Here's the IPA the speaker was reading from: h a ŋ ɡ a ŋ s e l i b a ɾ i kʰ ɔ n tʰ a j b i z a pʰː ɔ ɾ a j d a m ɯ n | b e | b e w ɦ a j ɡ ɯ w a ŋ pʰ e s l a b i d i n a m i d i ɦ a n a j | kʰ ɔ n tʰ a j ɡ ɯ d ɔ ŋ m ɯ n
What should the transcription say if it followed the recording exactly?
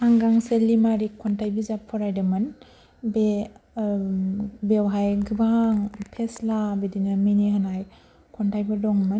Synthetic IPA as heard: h a ŋ ɡ a ŋ s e l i m a ɾ i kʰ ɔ n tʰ a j b i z a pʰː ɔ ɾ a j d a m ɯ n | b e | b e w ɦ a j ɡ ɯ b a ŋ pʰ e s l a b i d i n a m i n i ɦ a n a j | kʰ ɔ n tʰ a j b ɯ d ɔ ŋ m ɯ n